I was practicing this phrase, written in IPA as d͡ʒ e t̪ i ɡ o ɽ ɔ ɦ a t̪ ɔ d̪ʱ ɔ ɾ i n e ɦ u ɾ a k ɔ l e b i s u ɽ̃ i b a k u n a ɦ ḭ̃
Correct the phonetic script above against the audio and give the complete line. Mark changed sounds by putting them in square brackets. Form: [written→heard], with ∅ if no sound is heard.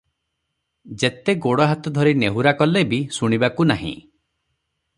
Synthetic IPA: d͡ʒ e t̪ [i→e] ɡ o ɽ ɔ ɦ a t̪ ɔ d̪ʱ ɔ ɾ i n e ɦ u ɾ a k ɔ l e b i s u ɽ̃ i b a k u n a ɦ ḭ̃